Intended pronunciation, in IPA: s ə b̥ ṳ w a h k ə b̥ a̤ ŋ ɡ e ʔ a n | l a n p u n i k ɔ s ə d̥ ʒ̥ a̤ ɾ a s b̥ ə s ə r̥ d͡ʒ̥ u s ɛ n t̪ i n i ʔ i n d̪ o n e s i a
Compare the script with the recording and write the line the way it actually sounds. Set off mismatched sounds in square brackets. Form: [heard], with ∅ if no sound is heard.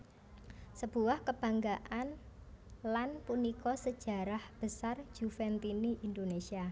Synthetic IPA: s ə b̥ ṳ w a h k ə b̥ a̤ ŋ ɡ [a] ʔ a n | l a n p u n i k ɔ s ə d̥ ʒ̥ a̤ ɾ a [h] b̥ ə s [a] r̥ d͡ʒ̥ u [f] ɛ n t̪ i n i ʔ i n d̪ o n e s i a